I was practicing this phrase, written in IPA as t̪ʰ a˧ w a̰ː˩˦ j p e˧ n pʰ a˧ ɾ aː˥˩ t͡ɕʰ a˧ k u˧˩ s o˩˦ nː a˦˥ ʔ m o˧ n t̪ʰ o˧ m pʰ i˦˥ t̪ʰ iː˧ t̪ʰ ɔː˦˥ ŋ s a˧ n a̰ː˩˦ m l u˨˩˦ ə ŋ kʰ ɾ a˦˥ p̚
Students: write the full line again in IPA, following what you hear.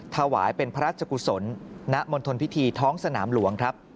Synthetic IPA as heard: t̪ʰ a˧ w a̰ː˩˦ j p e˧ n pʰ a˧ ɾ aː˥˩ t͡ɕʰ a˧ k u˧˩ s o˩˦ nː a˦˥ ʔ m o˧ n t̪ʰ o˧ n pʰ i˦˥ t̪ʰ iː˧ t̪ʰ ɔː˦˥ ŋ s a˧ n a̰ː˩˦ m l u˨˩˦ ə ŋ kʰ ɾ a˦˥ p̚